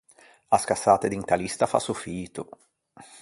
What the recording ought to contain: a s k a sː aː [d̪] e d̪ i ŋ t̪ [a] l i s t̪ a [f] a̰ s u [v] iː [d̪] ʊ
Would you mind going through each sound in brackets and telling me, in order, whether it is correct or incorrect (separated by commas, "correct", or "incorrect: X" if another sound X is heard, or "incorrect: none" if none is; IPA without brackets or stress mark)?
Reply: incorrect: t̪, correct, correct, incorrect: f, incorrect: t̪